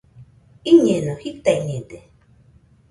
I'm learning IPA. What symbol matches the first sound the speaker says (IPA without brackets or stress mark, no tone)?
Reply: i